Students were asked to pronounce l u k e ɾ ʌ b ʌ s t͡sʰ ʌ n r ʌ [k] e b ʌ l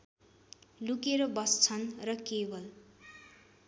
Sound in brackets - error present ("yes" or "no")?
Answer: no